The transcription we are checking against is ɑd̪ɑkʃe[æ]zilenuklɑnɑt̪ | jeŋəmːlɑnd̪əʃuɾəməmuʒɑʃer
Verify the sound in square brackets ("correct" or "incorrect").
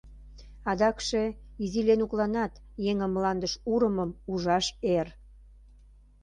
incorrect